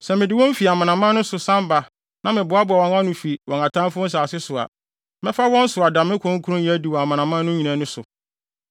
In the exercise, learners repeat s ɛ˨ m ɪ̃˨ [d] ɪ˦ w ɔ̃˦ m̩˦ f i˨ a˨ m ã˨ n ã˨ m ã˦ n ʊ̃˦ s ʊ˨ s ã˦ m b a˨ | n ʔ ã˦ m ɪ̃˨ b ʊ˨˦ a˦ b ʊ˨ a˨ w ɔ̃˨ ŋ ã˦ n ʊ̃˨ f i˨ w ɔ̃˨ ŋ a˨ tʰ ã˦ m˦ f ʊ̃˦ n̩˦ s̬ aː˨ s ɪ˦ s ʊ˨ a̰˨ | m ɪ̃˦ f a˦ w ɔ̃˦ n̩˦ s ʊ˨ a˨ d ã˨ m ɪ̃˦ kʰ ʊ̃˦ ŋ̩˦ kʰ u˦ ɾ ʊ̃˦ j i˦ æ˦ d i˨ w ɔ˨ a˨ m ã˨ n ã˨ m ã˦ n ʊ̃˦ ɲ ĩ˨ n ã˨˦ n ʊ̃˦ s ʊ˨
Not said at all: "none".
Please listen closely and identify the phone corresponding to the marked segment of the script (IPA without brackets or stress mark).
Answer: d